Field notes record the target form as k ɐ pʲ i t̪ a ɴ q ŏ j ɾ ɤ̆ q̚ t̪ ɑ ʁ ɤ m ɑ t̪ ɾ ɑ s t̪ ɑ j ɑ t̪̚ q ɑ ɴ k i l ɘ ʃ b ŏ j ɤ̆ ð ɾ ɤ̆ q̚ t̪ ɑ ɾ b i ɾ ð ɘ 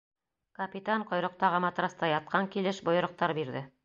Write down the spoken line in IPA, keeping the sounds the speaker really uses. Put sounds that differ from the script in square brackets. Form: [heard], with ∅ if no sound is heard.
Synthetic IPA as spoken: k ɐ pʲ i t̪ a ɴ q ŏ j ɾ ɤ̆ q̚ t̪ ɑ ʁ ɤ m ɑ t̪ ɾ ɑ s t̪ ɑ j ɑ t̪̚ q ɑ [ŋ] k i l ɘ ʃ b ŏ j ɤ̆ [∅] ɾ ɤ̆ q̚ t̪ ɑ ɾ b i ɾ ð ɘ